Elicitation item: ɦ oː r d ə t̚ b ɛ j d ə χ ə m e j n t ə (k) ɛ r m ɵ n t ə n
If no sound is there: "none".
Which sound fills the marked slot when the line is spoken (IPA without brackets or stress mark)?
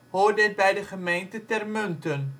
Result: t